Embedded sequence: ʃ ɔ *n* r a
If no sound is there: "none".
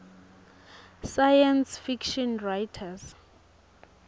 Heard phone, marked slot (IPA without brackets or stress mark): n